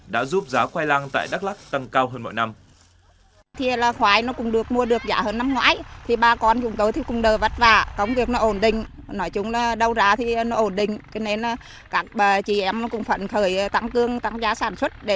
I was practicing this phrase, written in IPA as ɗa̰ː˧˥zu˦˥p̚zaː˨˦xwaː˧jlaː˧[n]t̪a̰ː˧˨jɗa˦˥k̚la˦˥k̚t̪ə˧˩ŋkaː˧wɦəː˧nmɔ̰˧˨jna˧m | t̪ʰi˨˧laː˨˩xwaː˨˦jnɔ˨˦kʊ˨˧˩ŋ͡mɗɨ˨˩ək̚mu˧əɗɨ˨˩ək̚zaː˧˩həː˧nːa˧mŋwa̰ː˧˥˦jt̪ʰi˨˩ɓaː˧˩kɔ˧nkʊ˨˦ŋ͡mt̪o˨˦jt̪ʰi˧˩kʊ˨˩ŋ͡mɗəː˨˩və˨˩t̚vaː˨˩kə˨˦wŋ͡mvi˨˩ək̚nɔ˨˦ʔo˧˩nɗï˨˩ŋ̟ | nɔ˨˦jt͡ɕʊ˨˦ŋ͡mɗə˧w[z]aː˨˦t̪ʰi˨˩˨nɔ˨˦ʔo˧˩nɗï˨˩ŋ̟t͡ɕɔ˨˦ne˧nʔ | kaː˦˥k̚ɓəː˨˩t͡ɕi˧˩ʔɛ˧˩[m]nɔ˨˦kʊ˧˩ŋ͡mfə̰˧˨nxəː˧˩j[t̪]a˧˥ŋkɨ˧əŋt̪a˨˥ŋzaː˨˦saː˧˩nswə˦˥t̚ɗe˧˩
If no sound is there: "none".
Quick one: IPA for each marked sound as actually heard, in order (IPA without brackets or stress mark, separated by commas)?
ŋ, z, m, t̪